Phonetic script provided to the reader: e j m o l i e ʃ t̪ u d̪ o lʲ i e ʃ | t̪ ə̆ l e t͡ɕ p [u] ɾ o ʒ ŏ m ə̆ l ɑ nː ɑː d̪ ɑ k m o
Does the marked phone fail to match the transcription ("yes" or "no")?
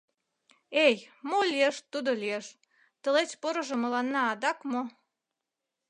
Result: yes